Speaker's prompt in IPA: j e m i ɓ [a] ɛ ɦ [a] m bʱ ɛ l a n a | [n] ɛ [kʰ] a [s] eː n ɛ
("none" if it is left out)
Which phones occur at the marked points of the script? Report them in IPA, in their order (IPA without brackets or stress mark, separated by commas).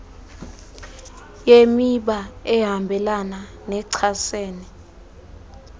a, a, n, ǀʰ, s